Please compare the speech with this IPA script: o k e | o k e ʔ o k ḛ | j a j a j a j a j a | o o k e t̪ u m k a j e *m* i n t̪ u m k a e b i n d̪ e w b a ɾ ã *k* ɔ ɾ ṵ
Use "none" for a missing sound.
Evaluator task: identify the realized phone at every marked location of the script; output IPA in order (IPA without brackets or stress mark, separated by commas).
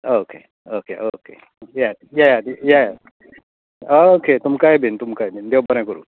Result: b, k